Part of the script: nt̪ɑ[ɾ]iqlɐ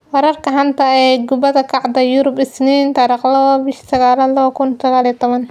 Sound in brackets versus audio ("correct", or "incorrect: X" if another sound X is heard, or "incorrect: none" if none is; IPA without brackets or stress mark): correct